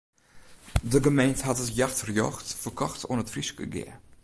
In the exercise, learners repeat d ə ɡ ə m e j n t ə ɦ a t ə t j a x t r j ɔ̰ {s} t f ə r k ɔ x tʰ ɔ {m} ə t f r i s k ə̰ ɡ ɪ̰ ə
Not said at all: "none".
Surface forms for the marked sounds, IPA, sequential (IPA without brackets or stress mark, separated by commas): x, n